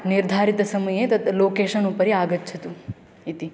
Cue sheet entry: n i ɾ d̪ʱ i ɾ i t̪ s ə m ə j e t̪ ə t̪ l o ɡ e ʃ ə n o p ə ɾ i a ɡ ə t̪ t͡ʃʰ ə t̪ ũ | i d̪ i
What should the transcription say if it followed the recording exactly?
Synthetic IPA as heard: n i ɾ d̪ʱ a ɾ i t̪ s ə m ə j e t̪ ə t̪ l o k e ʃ ə n u p ə ɾ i a ɡ ə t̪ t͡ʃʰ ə t̪ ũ | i t̪ i